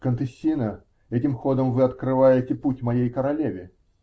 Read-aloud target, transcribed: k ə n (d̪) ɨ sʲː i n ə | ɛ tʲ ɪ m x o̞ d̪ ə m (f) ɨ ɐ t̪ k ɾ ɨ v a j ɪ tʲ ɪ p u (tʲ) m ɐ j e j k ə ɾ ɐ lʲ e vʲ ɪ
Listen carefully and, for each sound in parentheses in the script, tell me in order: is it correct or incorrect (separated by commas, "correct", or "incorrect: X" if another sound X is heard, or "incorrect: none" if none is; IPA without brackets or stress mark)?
incorrect: t̪, incorrect: v, correct